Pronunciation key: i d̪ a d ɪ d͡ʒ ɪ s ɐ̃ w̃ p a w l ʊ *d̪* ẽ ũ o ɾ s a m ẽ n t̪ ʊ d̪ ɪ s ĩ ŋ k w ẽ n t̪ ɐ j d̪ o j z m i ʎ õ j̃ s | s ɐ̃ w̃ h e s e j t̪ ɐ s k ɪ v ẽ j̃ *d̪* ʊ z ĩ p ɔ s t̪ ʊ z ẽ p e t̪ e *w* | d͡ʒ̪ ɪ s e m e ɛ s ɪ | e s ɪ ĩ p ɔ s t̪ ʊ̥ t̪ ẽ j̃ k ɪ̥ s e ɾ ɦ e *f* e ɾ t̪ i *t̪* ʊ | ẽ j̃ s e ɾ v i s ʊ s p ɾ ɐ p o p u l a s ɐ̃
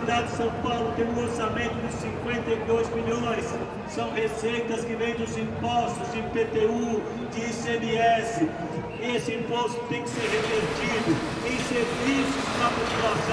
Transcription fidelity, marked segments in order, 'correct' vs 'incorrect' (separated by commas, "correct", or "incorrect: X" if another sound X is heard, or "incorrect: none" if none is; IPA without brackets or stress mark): incorrect: t̪, correct, incorrect: u, incorrect: v, incorrect: d̪